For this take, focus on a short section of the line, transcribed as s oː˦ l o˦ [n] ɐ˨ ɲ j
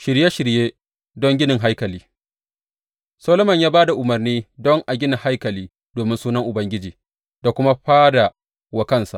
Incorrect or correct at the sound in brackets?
incorrect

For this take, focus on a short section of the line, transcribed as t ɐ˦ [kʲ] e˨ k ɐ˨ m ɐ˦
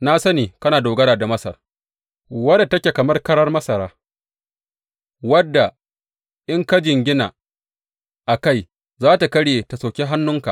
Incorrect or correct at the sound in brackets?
correct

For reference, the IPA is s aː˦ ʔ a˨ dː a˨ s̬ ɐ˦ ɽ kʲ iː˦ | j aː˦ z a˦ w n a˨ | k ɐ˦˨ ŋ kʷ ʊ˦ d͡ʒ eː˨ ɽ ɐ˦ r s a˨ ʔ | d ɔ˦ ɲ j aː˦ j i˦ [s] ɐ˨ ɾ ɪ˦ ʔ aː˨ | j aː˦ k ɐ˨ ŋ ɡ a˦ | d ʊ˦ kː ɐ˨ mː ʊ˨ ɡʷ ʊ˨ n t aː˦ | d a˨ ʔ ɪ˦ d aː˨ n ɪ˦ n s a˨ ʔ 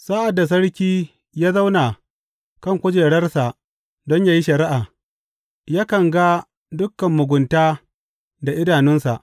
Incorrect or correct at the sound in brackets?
incorrect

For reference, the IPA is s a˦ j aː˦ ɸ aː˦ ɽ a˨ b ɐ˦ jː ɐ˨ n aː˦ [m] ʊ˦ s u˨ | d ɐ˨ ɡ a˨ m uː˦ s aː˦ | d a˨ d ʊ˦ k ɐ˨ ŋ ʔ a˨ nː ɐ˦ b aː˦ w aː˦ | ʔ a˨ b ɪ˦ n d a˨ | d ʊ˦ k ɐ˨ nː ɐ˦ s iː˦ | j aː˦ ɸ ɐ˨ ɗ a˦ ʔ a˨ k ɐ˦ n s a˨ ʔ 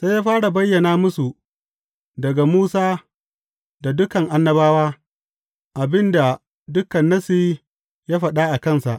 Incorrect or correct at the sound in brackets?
correct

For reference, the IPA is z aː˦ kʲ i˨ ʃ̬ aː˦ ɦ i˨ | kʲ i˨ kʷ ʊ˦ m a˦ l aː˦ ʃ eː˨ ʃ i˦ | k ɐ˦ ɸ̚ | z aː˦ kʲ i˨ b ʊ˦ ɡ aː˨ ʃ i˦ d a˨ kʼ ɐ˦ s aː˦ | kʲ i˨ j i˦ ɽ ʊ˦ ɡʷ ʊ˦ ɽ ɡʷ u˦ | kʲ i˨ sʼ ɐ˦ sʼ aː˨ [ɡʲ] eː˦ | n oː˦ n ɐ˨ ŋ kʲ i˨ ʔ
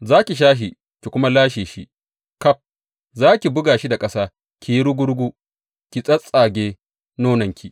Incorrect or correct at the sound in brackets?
correct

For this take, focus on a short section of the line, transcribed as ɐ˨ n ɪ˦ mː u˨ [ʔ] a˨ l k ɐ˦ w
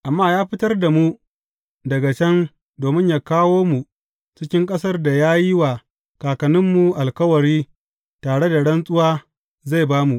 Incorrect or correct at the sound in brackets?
correct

